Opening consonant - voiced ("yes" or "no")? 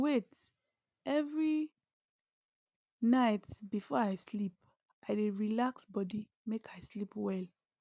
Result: yes